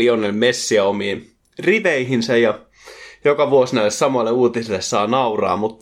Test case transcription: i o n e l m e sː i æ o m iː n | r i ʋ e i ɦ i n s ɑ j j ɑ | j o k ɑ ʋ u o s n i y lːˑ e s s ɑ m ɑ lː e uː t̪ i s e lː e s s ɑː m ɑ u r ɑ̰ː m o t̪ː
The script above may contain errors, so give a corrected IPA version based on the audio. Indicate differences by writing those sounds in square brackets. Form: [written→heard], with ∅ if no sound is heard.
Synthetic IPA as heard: i o n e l m e sː i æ o m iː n | r i ʋ e i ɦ i n s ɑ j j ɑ | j o k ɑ ʋ u o s n [i→æ] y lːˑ e s s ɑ m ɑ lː e uː t̪ i s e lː e s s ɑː [m→n] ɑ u r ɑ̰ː m [o→u] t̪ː